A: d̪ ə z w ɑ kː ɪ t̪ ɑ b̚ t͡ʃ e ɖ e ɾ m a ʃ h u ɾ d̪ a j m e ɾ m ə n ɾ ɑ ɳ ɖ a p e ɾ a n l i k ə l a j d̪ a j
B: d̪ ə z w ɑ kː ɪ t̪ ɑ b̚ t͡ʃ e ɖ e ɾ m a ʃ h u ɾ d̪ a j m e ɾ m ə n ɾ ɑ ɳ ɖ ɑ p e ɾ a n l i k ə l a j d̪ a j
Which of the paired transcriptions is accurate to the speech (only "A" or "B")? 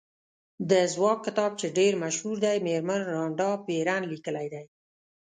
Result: B